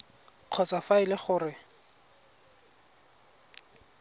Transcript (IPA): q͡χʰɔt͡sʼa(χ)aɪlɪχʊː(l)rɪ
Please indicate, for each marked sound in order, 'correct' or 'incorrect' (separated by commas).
incorrect, incorrect